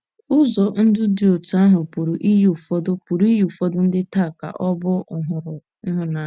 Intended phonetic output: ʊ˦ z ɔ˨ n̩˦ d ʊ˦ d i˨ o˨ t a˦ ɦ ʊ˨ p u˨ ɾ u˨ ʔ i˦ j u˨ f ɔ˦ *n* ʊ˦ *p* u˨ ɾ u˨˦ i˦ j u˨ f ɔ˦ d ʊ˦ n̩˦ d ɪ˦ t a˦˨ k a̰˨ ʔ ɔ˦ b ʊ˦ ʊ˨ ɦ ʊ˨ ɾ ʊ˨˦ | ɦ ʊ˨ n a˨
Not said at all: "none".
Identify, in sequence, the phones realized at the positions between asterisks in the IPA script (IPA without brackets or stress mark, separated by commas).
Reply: d, p